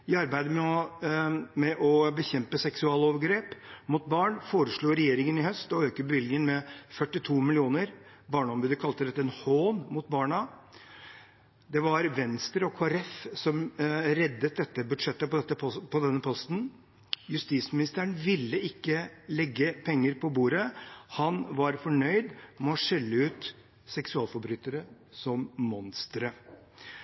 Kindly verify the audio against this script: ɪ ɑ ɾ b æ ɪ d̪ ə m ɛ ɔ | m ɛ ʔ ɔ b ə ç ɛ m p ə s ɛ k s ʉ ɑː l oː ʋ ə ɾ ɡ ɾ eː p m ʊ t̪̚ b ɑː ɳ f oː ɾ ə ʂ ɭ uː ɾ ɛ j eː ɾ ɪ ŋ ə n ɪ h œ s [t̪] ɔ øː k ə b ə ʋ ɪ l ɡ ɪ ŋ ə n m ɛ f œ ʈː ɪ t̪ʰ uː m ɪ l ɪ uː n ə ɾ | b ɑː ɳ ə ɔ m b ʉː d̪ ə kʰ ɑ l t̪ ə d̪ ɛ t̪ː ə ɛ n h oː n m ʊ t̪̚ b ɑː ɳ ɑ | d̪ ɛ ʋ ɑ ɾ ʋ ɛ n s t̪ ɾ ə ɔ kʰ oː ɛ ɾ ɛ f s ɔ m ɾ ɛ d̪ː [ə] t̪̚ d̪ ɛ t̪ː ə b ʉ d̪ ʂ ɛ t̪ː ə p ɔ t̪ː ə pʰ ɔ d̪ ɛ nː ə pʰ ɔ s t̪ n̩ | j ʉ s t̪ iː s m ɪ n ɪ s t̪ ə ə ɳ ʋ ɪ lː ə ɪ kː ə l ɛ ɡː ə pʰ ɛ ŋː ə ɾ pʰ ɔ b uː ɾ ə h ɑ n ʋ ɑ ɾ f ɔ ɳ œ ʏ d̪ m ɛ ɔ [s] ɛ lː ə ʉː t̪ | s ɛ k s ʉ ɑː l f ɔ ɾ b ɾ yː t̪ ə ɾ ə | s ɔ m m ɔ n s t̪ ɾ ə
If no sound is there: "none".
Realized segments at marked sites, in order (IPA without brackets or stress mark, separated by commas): t̪, ə, ʂ